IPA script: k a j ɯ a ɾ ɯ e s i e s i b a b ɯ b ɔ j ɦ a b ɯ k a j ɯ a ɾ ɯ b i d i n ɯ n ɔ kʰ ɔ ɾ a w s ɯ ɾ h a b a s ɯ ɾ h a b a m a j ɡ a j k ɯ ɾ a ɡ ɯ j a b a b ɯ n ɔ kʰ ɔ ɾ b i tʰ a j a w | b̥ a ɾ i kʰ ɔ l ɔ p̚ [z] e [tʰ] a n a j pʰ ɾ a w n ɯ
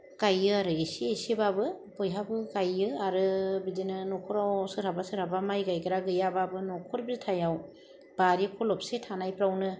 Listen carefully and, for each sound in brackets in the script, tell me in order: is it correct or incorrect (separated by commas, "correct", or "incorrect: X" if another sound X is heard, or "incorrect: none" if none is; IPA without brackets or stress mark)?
incorrect: s, correct